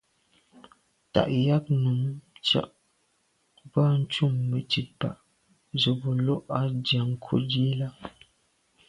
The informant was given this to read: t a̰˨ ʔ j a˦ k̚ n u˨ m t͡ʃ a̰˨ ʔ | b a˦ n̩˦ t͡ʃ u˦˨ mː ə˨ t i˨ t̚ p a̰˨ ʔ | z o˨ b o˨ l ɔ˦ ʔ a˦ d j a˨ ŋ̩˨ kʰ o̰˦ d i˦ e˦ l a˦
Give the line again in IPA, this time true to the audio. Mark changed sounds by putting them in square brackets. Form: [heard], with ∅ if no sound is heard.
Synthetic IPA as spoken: t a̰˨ ʔ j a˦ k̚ n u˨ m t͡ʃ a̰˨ ʔ | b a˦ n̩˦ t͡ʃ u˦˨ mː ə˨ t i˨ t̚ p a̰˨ ʔ | z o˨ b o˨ l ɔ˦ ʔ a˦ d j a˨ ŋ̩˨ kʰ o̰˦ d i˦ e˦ l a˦